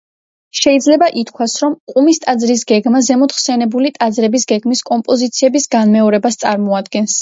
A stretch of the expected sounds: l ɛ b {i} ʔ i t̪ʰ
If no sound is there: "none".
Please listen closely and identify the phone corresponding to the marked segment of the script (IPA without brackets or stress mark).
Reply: a